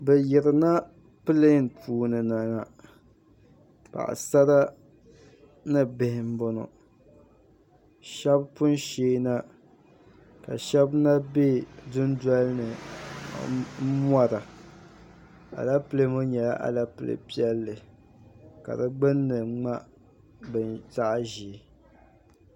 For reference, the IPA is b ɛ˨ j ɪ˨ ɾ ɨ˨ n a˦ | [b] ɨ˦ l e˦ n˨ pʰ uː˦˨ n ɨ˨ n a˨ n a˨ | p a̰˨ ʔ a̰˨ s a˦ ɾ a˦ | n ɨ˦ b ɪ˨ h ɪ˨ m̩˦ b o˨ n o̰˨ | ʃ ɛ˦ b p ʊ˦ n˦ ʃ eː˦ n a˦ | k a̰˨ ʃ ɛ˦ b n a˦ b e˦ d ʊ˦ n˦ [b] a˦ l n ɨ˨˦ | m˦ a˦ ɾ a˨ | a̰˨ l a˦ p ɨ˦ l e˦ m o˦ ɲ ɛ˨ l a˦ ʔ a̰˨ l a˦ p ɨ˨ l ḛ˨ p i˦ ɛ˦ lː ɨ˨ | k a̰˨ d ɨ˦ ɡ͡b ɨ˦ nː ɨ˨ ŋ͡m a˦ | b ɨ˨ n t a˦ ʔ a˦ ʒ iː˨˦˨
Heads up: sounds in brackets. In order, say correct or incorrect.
incorrect: p, incorrect: d

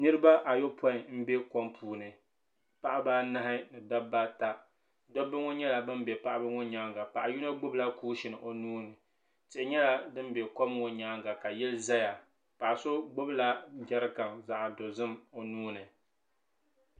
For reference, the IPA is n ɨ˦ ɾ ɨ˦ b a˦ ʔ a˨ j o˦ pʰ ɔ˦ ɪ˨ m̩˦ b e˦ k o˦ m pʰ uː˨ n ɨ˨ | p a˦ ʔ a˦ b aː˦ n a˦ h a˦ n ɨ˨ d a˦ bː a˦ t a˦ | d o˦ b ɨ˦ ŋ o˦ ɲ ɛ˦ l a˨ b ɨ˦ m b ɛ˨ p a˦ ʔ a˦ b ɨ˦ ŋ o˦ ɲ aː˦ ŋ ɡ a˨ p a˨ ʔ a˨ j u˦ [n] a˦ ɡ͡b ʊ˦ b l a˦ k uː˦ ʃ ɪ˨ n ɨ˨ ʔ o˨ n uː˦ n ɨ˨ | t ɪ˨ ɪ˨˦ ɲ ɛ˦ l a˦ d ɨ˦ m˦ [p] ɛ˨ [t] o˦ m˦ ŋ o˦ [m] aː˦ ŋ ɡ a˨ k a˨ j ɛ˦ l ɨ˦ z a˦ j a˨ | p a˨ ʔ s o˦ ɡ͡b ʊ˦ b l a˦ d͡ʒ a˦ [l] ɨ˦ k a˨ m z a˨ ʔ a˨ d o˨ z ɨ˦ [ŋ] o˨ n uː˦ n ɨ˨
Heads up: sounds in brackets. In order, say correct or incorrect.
correct, incorrect: b, incorrect: k, incorrect: ɲ, incorrect: ɾ, incorrect: m

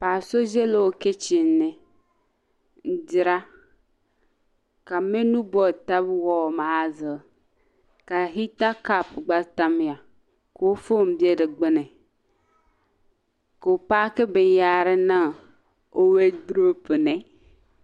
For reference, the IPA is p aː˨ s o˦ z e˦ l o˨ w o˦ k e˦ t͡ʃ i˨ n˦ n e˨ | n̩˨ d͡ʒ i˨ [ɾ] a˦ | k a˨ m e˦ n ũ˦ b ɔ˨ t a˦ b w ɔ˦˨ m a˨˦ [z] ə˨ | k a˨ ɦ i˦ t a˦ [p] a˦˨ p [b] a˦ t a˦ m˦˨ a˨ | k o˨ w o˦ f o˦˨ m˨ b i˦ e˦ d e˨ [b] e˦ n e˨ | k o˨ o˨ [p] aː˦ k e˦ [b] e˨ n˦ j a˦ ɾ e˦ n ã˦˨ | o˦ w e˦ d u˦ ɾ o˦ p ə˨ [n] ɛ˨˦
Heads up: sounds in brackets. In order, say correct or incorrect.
correct, correct, incorrect: k, incorrect: ɡ͡b, incorrect: ɡ͡b, correct, correct, correct

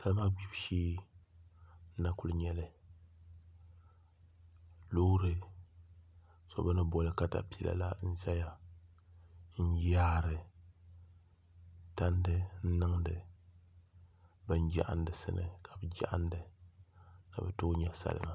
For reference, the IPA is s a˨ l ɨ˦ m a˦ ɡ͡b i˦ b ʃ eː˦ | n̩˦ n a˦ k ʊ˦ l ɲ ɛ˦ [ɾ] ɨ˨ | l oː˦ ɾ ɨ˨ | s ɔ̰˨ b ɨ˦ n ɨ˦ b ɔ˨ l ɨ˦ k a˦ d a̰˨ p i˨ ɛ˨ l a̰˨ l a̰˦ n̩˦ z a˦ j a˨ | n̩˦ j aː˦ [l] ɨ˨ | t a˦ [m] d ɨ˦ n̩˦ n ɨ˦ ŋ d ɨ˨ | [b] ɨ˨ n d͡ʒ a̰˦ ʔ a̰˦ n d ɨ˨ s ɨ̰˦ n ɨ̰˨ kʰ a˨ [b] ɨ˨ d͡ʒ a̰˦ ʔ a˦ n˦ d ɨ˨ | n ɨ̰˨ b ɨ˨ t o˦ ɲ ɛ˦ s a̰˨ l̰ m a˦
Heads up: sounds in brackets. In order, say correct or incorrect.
incorrect: l, incorrect: ɾ, incorrect: n, correct, correct

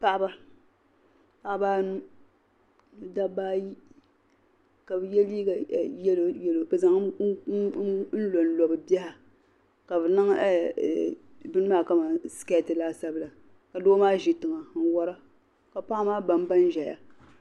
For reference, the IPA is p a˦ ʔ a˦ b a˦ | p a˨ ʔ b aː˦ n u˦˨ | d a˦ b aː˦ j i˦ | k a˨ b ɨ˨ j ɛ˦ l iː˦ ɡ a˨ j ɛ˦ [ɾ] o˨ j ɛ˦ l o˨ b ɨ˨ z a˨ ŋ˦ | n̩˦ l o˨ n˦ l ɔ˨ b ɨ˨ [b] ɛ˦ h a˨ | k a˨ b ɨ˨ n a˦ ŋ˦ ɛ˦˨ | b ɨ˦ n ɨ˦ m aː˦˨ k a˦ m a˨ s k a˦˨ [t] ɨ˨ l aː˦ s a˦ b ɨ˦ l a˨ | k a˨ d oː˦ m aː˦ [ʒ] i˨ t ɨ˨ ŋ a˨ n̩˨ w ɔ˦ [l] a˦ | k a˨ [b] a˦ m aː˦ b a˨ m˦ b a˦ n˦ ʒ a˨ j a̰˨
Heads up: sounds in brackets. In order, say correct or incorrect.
incorrect: l, correct, correct, correct, incorrect: ɾ, incorrect: p

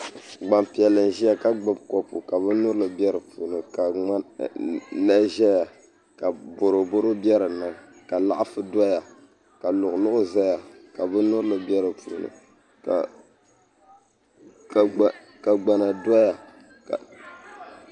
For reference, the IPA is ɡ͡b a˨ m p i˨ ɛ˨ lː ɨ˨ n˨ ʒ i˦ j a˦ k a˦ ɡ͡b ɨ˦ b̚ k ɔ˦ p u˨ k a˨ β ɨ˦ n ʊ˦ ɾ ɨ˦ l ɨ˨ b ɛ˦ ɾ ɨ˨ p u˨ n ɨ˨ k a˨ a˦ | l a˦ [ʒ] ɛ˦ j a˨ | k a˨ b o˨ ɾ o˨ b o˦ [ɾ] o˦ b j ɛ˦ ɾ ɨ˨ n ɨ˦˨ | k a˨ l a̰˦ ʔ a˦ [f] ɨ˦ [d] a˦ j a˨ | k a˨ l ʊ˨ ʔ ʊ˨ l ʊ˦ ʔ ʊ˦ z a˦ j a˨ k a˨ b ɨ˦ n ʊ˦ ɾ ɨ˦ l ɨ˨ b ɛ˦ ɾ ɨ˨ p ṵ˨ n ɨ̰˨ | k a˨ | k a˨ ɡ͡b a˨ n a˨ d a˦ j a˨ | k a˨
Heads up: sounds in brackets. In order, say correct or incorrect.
correct, correct, correct, correct

